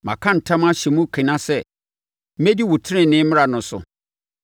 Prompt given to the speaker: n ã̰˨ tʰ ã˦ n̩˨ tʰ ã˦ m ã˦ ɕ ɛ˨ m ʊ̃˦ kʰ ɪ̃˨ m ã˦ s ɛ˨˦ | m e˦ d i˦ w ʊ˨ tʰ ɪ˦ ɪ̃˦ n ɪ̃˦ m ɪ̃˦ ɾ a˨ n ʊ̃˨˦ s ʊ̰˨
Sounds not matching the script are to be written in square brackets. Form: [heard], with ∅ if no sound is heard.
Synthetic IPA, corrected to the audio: [m] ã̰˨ [kʰ] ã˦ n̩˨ tʰ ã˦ m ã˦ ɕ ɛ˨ m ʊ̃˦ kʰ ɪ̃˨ [n] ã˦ s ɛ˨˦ | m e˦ d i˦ w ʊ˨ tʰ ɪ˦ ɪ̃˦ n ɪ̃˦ m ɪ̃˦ ɾ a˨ n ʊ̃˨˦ s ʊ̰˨